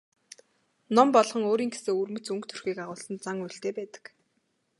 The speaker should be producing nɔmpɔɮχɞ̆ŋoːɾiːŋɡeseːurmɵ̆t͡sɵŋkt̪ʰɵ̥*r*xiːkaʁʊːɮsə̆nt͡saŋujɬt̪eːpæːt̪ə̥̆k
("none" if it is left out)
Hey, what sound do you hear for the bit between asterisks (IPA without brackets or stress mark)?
r